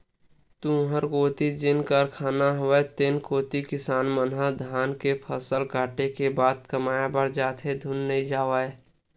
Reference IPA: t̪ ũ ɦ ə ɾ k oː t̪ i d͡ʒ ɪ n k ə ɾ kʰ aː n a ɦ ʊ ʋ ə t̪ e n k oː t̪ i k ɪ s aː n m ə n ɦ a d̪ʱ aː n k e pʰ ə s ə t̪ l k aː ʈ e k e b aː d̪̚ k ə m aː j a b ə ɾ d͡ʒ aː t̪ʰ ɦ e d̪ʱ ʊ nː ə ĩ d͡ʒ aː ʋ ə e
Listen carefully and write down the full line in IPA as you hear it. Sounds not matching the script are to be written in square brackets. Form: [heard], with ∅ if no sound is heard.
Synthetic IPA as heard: t̪ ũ ɦ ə ɾ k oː t̪ i d͡ʒ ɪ n k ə ɾ kʰ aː n a ɦ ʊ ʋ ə t̪ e n k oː t̪ i k ɪ s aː n m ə n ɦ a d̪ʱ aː n k e pʰ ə s ə [∅] l k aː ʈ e k e b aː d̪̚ k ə m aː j a b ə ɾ d͡ʒ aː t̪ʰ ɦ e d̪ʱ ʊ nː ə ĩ d͡ʒ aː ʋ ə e